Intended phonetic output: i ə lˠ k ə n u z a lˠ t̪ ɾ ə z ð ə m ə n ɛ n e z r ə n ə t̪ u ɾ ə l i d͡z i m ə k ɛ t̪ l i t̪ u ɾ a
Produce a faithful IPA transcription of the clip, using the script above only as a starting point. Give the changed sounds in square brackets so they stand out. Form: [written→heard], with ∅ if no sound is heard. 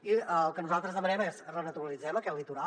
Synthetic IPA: i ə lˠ k ə n u z a lˠ t̪ ɾ ə z ð ə m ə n ɛ [n→m] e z r ə n ə t̪ u ɾ ə l i d͡z [i→ɛ] m ə k ɛ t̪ l i t̪ u ɾ a